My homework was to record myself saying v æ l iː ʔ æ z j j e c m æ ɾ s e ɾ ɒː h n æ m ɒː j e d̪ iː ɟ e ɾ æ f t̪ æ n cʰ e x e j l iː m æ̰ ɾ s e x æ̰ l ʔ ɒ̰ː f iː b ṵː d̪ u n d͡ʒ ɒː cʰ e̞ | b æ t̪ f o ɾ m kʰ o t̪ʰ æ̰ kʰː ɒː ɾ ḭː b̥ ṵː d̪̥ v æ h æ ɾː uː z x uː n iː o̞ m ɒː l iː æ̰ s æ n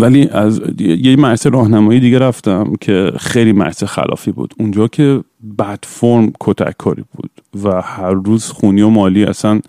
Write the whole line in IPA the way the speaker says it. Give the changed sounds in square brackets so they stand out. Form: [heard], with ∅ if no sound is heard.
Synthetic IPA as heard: v æ l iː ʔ æ z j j e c m æ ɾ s e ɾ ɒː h n æ m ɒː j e d̪ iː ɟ e ɾ æ f t̪ æ [m] cʰ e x e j l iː m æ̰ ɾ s e x æ̰ l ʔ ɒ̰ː f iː b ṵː d̪ u n d͡ʒ ɒː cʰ e̞ | b æ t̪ f o ɾ m kʰ o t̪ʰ æ̰ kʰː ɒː ɾ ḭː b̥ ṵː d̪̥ v æ h æ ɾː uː z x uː n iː o̞ m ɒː l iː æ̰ s æ n